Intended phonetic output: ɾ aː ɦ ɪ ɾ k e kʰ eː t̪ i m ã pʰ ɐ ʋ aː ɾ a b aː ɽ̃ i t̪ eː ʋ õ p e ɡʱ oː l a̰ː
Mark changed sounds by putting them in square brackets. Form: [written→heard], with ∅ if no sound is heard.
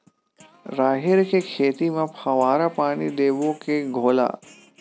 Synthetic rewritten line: ɾ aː ɦ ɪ ɾ k e kʰ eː t̪ i m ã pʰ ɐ ʋ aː ɾ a [b→p] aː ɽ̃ i [t̪→d̪] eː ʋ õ [p→k] e ɡʱ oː l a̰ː